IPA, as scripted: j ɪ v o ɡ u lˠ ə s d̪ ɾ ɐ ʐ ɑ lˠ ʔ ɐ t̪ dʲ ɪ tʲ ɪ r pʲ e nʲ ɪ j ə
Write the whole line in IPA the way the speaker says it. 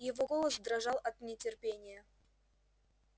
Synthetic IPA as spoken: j ɪ v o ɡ o lˠ ə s d̪ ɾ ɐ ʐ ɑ lˠ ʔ ɐ t̪ nʲ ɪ tʲ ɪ r pʲ e nʲ ɪ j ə